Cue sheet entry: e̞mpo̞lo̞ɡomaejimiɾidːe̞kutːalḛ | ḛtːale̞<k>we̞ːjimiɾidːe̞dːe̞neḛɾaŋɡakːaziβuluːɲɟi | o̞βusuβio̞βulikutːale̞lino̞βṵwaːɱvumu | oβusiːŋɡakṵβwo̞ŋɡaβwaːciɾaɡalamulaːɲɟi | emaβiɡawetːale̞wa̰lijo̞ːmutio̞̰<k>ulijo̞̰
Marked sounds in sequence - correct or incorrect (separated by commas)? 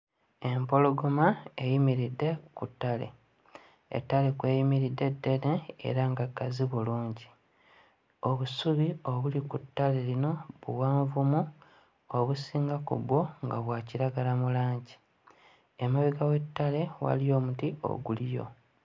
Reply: correct, incorrect